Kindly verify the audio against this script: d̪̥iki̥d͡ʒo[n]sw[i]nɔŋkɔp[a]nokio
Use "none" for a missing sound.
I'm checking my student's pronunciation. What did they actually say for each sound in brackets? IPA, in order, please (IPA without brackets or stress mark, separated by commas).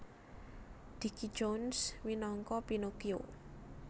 n, i, i